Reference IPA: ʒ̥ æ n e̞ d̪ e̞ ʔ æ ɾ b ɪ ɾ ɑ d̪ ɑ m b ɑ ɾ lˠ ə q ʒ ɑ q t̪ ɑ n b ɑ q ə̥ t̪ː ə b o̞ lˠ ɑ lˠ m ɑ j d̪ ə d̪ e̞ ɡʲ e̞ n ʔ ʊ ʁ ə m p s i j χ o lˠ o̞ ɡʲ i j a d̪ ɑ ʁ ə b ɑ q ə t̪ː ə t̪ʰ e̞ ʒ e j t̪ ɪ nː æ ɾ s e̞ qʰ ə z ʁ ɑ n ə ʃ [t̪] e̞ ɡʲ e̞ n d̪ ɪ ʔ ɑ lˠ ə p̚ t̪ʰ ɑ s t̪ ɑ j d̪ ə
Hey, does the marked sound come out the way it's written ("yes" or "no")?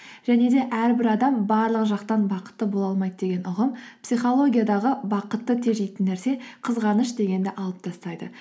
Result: no